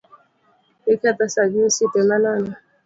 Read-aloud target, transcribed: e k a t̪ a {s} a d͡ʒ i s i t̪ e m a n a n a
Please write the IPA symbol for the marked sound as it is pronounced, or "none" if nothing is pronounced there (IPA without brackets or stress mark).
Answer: s